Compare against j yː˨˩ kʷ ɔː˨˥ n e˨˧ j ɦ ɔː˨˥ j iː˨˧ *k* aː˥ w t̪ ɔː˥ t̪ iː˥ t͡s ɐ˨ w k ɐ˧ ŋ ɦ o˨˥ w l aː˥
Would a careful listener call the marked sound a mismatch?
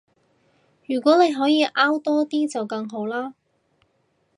yes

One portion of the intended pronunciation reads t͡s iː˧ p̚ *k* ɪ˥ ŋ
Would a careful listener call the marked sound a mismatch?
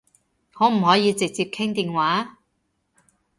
yes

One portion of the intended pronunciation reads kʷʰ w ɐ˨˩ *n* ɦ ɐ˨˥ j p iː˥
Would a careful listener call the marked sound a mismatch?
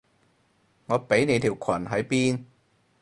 no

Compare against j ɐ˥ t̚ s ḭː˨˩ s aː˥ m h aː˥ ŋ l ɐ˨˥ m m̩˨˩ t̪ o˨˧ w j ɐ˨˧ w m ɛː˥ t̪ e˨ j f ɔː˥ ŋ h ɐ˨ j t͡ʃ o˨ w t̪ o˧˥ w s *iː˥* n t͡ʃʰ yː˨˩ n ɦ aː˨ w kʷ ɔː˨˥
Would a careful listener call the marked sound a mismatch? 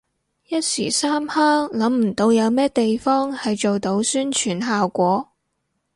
yes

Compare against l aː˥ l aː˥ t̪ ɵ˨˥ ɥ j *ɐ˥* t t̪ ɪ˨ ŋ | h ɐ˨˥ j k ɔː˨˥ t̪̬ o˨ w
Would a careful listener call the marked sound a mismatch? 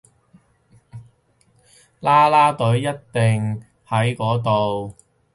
no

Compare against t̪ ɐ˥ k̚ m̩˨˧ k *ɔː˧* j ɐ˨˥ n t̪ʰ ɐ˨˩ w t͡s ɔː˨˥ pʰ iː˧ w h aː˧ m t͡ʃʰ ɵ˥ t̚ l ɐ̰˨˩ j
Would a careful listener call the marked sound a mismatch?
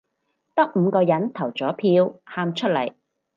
no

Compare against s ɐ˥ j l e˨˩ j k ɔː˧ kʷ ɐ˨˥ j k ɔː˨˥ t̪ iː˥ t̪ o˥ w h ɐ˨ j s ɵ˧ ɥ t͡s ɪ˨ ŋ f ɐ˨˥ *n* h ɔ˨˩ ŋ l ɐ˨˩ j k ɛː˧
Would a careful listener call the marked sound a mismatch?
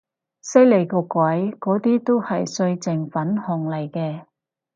no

